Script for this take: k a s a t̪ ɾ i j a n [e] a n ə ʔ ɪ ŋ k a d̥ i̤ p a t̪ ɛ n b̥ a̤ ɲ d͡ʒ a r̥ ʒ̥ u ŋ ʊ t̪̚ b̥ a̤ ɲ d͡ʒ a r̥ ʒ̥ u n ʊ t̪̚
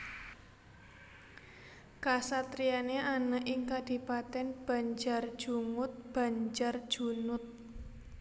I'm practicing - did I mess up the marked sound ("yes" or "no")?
no